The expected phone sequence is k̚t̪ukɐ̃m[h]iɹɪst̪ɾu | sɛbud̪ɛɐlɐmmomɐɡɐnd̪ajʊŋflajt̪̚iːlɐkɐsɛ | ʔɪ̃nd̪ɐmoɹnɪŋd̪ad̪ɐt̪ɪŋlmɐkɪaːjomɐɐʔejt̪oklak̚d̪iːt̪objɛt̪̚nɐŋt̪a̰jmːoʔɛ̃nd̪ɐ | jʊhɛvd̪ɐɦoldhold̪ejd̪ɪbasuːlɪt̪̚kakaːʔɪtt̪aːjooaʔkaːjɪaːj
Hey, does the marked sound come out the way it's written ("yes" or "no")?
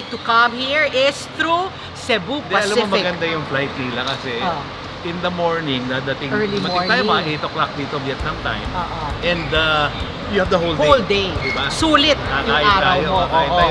yes